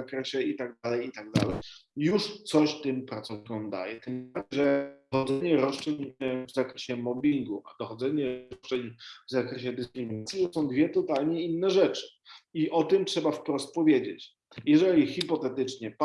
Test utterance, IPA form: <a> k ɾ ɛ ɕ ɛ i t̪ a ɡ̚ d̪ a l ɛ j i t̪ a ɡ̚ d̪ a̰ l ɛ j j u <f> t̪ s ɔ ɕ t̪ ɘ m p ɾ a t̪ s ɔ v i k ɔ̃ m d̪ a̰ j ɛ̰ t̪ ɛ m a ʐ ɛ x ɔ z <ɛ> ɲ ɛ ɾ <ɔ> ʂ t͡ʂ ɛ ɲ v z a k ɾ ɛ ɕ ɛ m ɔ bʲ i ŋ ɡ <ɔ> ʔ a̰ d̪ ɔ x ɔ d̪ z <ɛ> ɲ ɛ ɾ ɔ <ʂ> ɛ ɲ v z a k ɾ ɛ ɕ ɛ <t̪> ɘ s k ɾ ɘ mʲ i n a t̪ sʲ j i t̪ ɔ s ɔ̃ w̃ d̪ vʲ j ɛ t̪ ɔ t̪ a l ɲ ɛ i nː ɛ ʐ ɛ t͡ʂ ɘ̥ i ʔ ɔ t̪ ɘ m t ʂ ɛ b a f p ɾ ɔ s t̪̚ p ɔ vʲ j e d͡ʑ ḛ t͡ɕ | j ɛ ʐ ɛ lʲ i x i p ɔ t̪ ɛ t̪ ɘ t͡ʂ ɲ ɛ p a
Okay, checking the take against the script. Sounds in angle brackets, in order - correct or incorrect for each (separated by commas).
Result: correct, incorrect, correct, correct, incorrect, correct, incorrect, incorrect